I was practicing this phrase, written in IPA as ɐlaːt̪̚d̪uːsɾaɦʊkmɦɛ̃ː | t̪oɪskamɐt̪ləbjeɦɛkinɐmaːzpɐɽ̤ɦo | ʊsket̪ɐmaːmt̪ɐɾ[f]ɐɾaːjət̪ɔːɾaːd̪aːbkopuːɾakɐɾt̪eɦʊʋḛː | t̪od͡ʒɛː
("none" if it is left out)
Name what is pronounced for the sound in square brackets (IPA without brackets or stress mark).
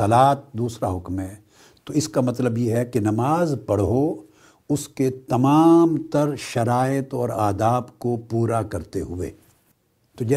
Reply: ʃ